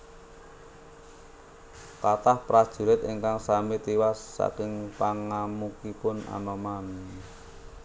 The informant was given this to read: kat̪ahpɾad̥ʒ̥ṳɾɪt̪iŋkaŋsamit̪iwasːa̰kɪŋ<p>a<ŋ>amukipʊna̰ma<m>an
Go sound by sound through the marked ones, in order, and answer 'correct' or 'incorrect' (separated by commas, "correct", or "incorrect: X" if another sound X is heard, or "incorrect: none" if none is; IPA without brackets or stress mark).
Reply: correct, correct, correct